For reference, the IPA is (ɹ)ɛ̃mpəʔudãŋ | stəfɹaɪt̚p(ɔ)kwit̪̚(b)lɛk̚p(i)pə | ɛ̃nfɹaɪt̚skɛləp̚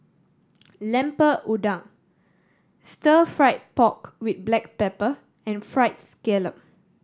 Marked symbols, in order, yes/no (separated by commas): no, yes, yes, no